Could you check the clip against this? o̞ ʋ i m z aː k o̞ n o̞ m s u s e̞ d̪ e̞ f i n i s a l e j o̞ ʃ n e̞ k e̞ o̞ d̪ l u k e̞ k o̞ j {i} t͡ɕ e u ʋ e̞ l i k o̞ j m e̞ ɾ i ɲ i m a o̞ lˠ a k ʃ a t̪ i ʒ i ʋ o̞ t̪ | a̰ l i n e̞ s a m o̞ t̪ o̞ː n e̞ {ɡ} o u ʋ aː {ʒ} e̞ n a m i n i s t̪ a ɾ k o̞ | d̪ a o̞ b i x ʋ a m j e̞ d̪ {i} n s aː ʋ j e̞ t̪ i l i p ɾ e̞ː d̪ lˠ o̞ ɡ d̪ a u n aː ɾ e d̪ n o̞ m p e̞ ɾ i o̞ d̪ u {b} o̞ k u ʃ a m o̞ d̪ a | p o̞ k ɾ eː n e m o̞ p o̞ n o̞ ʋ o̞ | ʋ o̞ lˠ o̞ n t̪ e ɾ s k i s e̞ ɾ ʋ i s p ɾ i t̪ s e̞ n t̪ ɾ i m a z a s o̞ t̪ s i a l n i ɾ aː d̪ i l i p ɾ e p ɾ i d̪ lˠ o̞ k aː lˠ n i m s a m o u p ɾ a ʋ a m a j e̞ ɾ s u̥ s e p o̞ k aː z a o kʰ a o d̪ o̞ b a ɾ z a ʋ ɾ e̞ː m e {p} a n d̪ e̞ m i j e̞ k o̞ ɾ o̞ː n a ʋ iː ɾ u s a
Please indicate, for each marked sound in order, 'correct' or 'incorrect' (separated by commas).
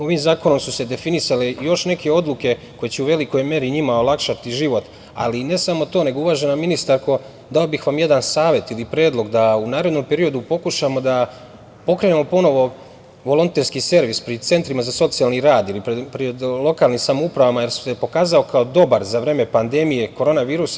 incorrect, correct, correct, incorrect, incorrect, correct